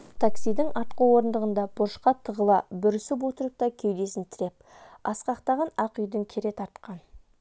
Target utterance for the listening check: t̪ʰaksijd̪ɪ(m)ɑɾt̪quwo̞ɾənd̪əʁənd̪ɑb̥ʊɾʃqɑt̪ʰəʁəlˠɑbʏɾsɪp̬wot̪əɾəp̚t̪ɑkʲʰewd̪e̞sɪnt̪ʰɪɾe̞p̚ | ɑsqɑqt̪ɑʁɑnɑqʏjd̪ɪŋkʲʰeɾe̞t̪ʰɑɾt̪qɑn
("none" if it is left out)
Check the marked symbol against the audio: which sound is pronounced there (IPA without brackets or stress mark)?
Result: ŋ